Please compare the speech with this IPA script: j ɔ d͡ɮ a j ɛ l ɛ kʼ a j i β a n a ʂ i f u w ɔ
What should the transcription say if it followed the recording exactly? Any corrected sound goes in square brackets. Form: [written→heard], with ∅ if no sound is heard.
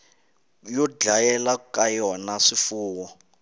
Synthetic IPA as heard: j ɔ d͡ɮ a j ɛ l [ɛ→a] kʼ a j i [β→w] a n a ʂ i f [u→uː] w ɔ